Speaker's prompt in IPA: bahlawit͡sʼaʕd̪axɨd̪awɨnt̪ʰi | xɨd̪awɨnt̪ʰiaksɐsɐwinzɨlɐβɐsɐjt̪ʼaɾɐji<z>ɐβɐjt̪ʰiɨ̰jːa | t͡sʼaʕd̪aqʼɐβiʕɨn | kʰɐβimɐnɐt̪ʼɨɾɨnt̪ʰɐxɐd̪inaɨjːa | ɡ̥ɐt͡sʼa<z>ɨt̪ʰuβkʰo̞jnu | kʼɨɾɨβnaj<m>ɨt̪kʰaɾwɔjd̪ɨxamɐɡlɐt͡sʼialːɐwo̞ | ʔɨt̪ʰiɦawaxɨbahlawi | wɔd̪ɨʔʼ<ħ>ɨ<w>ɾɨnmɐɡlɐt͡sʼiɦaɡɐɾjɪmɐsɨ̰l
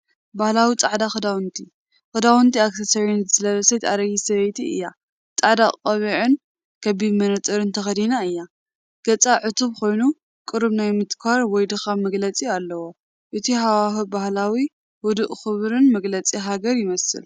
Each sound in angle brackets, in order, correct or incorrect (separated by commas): incorrect, incorrect, correct, incorrect, incorrect